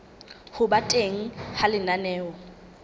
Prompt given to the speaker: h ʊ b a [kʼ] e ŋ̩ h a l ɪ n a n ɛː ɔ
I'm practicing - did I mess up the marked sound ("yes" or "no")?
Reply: yes